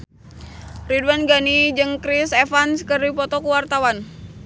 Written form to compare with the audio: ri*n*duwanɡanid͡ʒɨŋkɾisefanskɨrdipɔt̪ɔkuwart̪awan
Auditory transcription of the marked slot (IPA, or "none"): none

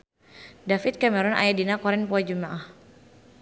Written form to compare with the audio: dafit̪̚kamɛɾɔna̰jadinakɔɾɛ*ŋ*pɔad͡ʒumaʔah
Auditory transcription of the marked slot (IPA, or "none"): n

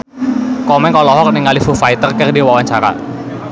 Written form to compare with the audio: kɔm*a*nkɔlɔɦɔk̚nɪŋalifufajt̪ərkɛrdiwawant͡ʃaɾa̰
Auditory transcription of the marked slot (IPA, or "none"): ɛ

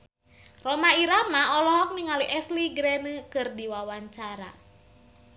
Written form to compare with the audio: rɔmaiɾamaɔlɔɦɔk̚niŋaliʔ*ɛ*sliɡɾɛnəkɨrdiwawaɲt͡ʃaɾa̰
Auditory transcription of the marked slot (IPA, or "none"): ɛ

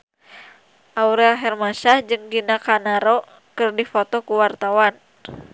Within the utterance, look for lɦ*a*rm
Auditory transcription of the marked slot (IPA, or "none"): ɛ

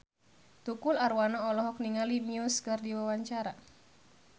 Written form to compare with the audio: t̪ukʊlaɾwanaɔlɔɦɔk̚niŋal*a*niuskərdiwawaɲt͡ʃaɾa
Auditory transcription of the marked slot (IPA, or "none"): i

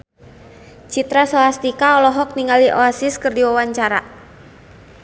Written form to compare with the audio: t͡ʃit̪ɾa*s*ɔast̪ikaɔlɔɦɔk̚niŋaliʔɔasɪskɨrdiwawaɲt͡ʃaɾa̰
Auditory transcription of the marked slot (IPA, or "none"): s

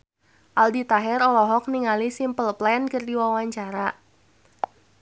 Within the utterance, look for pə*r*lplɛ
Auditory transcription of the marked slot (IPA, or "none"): none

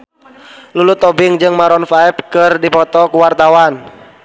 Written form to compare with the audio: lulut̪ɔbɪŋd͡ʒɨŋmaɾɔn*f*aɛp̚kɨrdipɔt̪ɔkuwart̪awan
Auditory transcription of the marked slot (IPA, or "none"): f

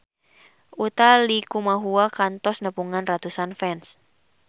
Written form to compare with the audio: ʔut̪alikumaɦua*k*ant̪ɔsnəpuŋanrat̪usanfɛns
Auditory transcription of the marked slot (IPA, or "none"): k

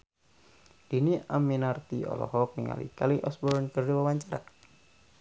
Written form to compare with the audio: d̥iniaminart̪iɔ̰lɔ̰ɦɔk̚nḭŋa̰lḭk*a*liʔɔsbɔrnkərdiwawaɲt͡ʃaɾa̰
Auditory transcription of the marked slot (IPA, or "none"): a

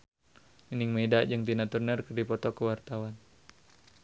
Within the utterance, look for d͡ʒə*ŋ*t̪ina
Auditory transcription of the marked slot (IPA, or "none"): ŋ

